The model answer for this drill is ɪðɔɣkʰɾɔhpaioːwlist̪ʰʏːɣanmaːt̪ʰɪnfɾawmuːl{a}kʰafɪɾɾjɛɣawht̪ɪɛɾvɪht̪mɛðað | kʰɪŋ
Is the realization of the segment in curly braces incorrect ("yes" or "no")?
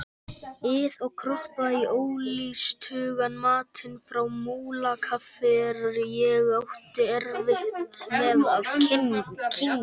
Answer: no